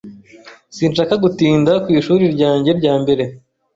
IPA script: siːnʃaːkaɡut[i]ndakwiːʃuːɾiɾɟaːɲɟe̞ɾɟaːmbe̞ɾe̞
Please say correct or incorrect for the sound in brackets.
incorrect: iː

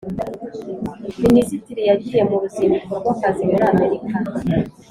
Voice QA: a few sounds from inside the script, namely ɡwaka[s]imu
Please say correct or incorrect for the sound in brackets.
incorrect: z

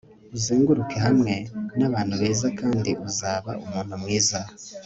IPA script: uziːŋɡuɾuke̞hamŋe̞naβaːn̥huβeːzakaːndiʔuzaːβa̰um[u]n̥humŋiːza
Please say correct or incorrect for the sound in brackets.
incorrect: uː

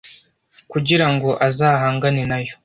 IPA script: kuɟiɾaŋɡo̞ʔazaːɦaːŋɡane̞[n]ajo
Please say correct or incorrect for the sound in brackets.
correct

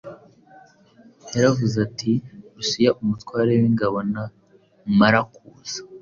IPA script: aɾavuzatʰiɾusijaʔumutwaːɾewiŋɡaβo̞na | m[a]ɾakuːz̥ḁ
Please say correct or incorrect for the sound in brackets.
correct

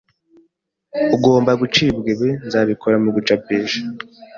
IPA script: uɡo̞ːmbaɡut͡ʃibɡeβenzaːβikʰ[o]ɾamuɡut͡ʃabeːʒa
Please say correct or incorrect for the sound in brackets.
correct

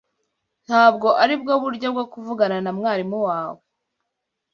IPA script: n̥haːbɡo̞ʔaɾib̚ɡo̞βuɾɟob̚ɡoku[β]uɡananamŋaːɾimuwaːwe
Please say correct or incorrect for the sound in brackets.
incorrect: v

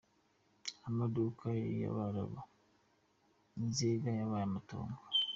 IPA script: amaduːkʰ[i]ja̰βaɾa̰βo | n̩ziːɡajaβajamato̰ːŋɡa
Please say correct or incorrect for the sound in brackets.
incorrect: a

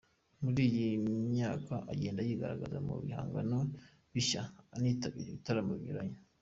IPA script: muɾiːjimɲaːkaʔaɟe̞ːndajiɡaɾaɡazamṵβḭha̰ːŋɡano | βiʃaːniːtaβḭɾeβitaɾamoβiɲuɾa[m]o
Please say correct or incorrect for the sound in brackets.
incorrect: ɲ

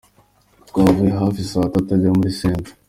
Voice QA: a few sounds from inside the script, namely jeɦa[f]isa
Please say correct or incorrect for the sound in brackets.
correct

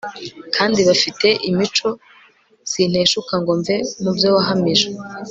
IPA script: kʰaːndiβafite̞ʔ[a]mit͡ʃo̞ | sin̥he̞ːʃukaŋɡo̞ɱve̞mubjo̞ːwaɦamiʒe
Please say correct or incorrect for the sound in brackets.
incorrect: i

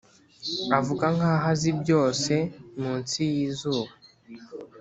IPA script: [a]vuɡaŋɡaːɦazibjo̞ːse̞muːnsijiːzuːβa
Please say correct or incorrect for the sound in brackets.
correct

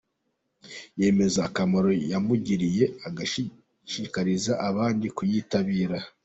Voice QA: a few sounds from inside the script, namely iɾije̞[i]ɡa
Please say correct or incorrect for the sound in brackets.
incorrect: a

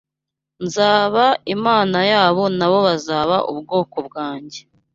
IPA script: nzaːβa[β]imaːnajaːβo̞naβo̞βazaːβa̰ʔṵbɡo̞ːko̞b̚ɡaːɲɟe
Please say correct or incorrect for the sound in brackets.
incorrect: none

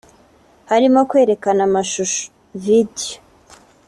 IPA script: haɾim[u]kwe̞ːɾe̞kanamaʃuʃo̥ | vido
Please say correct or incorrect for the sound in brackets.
incorrect: o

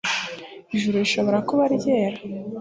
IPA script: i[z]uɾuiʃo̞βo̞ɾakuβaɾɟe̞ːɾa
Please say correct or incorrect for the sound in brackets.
incorrect: ʒ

